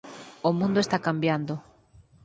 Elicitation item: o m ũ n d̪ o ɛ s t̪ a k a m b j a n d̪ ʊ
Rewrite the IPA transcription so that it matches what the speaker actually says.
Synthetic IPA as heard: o m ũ n d̪ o e s t̪ a k a m b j a n d̪ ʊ